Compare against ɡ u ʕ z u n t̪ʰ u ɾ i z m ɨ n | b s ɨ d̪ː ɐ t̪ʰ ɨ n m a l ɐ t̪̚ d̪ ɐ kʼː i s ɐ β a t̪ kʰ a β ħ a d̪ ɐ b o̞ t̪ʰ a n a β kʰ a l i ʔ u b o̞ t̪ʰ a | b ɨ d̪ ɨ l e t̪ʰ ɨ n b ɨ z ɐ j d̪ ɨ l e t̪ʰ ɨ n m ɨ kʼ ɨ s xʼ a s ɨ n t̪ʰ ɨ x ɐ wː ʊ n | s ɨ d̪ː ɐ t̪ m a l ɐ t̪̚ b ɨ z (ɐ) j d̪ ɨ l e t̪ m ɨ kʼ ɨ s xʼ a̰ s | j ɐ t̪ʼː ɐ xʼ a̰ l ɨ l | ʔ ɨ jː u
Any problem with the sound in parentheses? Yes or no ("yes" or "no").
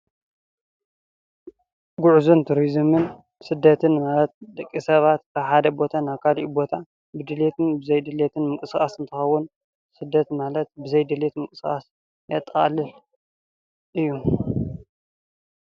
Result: no